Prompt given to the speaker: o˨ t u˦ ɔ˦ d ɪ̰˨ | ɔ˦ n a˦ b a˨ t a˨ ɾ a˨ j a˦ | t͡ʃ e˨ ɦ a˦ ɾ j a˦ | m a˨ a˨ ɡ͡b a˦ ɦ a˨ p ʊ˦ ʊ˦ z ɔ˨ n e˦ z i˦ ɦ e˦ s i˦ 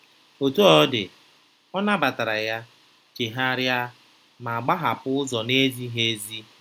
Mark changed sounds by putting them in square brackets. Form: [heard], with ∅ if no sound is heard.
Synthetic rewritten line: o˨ t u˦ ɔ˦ d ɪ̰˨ | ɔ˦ n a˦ b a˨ t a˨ ɾ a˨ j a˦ | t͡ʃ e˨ ɦ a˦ ɾ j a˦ | m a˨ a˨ ɡ͡b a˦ ɦ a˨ p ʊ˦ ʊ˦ z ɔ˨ n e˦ z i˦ ɦ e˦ [z] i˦